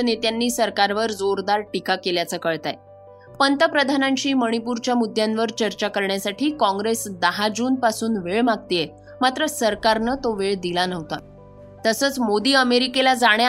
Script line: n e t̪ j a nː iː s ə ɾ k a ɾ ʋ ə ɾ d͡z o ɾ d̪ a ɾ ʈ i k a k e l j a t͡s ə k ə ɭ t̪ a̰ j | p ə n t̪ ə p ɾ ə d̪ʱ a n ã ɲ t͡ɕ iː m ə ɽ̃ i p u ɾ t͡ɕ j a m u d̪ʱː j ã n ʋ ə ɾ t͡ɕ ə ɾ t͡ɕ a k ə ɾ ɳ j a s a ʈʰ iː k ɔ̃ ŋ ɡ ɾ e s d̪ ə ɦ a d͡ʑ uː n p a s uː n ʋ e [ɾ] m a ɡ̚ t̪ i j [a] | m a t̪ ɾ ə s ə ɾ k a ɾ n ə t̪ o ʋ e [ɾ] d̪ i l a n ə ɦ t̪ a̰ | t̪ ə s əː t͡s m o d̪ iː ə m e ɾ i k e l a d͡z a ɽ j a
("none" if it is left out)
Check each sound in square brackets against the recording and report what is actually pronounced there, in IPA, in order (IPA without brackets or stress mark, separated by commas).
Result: ɭ, e, ɭ